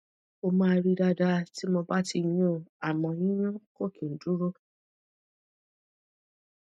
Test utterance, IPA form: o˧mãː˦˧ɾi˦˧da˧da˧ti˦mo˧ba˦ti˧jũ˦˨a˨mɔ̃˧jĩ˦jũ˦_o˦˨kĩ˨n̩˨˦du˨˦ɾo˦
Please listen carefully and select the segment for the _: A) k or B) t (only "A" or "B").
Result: A